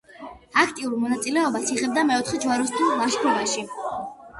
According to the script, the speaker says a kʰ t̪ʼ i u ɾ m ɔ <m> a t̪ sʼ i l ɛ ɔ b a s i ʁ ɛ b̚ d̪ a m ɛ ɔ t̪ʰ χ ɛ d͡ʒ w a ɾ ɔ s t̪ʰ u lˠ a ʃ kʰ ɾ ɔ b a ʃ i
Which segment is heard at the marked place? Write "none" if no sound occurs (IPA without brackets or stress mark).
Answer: n